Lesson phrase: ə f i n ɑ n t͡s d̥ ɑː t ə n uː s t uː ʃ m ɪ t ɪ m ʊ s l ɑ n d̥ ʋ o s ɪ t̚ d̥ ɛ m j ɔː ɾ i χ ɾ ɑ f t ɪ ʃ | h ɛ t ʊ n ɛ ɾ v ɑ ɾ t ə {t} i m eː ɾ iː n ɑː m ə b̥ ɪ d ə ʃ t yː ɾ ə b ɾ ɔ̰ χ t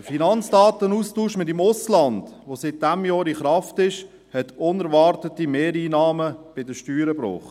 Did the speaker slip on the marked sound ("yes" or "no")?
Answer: no